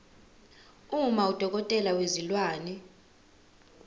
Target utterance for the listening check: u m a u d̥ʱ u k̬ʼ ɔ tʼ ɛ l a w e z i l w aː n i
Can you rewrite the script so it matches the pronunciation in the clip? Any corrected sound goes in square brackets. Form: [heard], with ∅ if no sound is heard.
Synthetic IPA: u m a u d̥ʱ [ɔ] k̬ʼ ɔ tʼ ɛ l a w e z i l w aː n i